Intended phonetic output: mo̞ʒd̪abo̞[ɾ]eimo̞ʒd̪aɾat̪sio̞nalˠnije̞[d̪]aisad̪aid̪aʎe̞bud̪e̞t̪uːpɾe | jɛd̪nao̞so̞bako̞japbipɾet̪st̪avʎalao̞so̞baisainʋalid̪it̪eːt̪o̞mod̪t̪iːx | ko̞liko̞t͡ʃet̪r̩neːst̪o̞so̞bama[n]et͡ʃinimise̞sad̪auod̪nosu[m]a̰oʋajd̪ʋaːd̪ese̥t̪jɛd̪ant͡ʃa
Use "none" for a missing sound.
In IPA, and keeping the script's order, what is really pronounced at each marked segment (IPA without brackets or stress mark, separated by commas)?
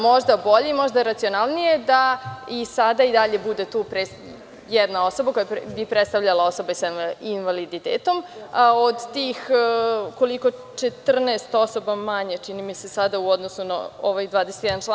ʎ, d̪, ɲ, n